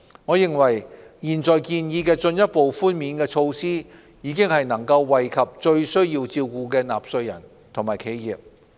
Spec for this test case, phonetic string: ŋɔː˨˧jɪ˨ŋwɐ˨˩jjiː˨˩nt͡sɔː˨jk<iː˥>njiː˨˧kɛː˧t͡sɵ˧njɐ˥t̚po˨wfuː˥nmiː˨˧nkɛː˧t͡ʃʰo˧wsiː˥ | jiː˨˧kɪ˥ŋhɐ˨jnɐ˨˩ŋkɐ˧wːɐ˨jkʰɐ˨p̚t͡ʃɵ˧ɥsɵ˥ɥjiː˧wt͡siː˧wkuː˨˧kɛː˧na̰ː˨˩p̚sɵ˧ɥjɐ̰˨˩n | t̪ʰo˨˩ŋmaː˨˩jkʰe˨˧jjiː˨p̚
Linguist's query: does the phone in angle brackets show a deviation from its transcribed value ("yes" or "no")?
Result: yes